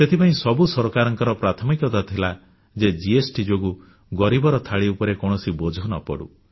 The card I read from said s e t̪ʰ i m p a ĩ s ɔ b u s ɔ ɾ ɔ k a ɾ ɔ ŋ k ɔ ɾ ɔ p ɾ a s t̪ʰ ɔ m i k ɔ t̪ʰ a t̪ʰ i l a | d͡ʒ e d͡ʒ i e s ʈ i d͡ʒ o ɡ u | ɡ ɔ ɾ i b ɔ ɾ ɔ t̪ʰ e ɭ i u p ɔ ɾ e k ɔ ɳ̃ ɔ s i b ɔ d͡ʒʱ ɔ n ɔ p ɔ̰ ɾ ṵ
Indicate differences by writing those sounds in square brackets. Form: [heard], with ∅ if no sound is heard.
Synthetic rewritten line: s e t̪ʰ i [∅] p a ĩ s ɔ b u s ɔ ɾ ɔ k a ɾ ɔ ŋ k ɔ ɾ ɔ p ɾ a [∅] t̪ʰ ɔ m i k ɔ [t̪] a t̪ʰ i l a | d͡ʒ e d͡ʒ i e s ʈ i d͡ʒ o ɡ u | ɡ ɔ ɾ i b ɔ ɾ ɔ t̪ʰ [a] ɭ i u p ɔ ɾ e k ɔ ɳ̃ ɔ s i b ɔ d͡ʒʱ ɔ n ɔ p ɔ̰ [ɽ] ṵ